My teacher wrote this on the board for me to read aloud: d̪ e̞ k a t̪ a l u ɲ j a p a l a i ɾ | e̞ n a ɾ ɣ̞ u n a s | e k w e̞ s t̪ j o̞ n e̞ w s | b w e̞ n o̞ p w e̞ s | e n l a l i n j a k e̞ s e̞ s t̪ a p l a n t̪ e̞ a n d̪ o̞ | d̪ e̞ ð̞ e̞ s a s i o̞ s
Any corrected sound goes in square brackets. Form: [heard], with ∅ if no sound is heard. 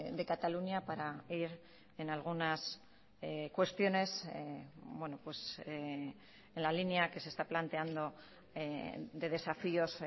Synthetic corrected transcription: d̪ e̞ k a t̪ a l u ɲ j a p a [ɾ] a i ɾ | e̞ n a [l] ɣ̞ u n a s | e k w e̞ s t̪ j o̞ n e̞ [∅] s | b w e̞ n o̞ p w e̞ s | e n l a l i n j a k e̞ s e̞ s t̪ a p l a n t̪ e̞ a n d̪ o̞ | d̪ e̞ ð̞ e̞ s a [f] i o̞ s